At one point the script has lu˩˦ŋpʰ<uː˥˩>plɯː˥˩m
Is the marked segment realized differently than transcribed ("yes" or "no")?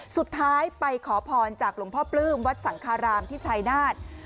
yes